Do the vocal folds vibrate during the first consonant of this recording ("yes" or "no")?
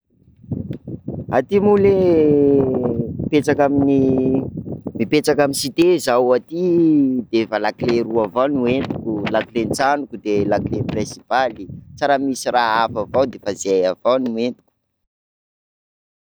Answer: no